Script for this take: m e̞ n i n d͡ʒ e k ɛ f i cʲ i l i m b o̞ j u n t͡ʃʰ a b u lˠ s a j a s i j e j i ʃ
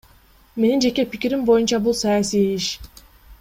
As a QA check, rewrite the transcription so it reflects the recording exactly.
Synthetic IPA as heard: m e̞ n i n d͡ʒ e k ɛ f i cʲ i ɾ i m b o̞ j u n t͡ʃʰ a b u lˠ s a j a s i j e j i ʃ